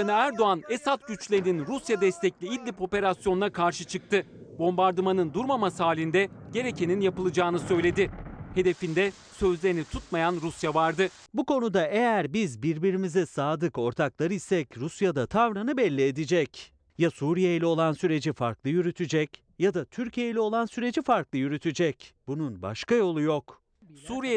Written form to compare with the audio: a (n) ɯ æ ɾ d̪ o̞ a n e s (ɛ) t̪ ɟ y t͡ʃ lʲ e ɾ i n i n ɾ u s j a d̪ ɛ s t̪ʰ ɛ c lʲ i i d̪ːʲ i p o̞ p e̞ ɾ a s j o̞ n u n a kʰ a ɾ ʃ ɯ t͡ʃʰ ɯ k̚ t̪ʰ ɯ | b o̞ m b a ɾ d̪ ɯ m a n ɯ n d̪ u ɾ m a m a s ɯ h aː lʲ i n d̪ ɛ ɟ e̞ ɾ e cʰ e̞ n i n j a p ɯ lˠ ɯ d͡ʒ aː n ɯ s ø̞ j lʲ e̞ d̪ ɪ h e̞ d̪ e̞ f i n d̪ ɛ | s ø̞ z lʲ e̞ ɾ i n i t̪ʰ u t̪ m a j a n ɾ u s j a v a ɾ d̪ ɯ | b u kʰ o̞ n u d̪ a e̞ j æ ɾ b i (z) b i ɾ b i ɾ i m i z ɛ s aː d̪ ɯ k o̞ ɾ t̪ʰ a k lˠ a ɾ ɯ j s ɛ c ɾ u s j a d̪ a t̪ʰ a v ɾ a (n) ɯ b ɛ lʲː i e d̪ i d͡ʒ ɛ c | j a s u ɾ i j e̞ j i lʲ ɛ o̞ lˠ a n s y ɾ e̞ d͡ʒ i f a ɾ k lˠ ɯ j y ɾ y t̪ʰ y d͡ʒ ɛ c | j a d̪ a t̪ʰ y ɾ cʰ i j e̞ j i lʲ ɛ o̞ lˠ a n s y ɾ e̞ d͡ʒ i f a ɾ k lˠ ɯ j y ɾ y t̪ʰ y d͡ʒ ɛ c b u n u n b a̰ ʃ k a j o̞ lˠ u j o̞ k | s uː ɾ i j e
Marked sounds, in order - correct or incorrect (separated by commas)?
correct, incorrect, correct, correct